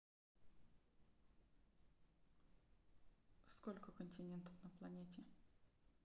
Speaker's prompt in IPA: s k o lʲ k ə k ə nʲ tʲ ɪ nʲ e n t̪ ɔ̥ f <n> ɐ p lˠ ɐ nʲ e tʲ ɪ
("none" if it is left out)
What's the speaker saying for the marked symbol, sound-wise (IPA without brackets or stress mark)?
n